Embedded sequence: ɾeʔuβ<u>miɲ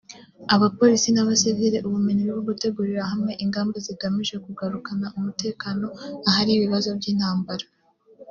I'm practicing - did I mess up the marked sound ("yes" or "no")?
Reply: no